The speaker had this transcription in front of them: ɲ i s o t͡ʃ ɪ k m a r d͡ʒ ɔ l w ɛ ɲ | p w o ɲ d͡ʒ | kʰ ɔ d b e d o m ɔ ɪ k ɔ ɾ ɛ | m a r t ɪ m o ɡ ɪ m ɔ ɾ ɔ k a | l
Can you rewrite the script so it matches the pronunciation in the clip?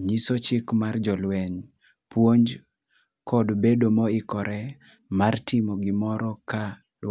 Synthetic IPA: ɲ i s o t͡ʃ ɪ k m a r d͡ʒ ɔ l w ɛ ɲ | p w o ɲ d͡ʒ | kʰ ɔ d b e d o m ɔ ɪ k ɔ ɾ ɛ | m a r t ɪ m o ɡ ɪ m ɔ ɾ ɔ k a | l